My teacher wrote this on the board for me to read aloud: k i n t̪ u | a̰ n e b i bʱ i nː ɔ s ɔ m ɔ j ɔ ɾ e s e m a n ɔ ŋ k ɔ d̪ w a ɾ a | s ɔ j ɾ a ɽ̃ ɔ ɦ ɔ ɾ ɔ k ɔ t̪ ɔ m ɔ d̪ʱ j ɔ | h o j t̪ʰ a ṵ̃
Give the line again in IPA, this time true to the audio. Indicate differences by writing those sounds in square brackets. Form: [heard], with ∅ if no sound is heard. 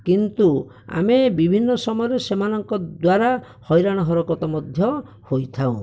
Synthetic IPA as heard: k i n t̪ u | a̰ [m] e b i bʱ i nː ɔ s ɔ m ɔ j ɔ ɾ e s e m a n ɔ ŋ k ɔ d̪ w a ɾ a | [h] ɔ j ɾ a ɽ̃ ɔ ɦ ɔ ɾ ɔ k ɔ t̪ ɔ m ɔ d̪ʱ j ɔ | h o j t̪ʰ a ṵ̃